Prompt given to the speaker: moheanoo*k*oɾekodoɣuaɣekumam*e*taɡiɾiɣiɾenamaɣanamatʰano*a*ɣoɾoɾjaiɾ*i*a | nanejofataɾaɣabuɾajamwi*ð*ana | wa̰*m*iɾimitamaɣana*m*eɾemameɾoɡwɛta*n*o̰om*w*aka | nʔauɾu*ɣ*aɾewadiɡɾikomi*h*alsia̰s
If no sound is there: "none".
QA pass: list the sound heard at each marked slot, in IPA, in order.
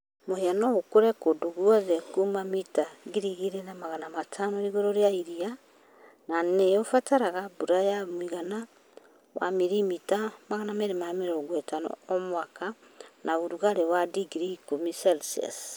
k, i, i, i, ɣ, m, m, n, w, ɣ, s

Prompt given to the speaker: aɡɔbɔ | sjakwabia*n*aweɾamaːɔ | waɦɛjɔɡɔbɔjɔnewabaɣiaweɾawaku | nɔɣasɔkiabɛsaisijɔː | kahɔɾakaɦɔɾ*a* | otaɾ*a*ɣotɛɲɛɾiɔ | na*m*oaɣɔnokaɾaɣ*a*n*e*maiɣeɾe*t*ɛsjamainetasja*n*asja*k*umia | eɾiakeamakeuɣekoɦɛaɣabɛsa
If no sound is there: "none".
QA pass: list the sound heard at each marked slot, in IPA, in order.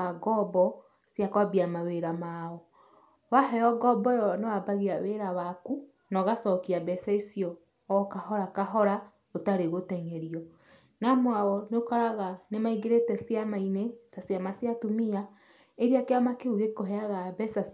m, a, e, m, a, e, t, m, t

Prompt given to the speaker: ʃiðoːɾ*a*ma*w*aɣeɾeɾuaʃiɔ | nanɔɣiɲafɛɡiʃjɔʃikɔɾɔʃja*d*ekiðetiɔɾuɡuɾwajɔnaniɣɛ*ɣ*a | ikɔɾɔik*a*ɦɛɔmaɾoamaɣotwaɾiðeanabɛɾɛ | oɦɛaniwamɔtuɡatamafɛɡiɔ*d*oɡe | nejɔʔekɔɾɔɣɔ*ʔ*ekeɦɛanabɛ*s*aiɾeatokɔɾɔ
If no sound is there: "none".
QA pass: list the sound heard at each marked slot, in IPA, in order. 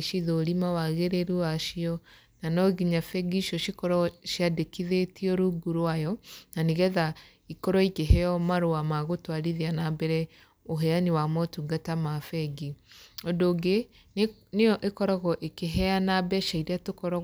i, w, d, ð, e, d, ʔ, ʃ

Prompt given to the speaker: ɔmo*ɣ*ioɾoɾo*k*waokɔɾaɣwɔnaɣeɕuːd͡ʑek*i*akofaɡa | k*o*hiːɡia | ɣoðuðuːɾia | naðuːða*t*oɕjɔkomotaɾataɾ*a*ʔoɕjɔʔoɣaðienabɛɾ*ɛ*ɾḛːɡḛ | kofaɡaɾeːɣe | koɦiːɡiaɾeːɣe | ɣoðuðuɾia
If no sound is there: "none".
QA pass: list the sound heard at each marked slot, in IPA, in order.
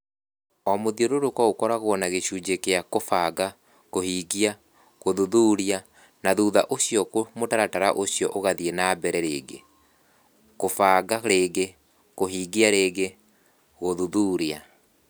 ð, k, e, o, ʔ, a, ɛ

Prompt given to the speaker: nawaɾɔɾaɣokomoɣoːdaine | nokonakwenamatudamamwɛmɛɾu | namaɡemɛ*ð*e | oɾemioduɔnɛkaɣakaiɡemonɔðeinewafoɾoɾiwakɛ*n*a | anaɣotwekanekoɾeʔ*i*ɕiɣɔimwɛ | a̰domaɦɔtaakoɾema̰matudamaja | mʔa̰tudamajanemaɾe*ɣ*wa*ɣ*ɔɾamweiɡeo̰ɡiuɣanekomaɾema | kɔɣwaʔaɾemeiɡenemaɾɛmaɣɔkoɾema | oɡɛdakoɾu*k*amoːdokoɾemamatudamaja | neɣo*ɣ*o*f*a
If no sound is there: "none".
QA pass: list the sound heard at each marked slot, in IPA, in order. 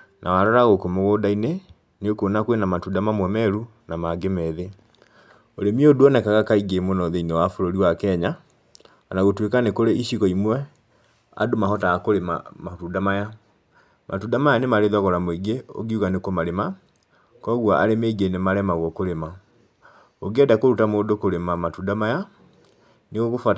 ð, ɲ, i, ð, ɣ, t, ɣ, f

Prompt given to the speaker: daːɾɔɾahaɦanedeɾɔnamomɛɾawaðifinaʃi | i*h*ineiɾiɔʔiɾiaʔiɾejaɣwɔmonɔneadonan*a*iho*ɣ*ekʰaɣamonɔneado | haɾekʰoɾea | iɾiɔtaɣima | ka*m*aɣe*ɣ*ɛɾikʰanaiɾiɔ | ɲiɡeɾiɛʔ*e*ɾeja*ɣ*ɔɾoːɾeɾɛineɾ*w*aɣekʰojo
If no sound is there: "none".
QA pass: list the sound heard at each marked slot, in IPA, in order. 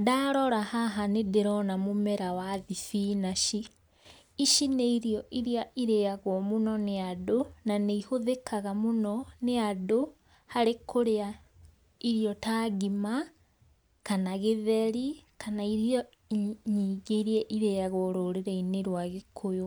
ʃ, e, ð, n, ð, i, ɣ, w

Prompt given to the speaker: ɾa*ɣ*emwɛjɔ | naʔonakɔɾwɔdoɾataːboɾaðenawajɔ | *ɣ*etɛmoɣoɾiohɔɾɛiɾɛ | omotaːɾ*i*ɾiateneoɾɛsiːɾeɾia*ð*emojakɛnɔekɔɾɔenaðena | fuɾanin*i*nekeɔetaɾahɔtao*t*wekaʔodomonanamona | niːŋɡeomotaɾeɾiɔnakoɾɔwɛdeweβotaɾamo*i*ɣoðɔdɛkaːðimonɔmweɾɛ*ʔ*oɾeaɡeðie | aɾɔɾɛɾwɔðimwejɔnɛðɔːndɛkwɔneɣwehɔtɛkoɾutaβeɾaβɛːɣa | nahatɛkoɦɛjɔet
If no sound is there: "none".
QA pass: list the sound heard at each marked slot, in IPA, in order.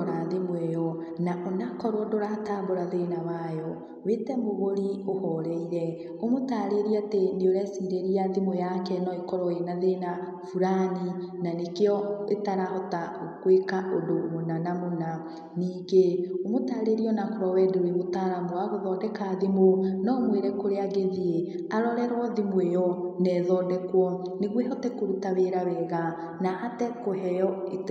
ð, w, e, ð, a, k, a, k

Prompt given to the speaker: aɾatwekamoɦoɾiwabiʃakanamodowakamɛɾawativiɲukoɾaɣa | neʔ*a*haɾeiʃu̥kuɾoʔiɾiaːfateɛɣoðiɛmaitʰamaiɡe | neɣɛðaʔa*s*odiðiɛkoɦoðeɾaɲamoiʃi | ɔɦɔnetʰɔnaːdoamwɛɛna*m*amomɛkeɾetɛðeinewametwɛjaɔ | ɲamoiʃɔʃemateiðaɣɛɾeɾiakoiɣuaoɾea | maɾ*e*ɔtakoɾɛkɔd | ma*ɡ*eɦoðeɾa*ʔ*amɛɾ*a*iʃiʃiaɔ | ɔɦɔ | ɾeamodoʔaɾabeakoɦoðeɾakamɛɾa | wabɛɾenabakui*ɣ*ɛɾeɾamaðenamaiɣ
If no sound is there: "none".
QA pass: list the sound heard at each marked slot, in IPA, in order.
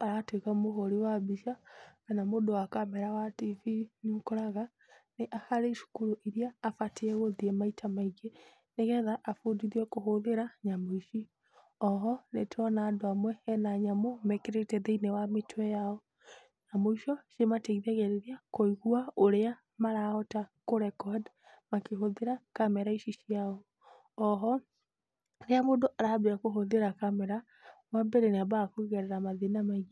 a, f, ɲ, a, k, k, a, ɣ

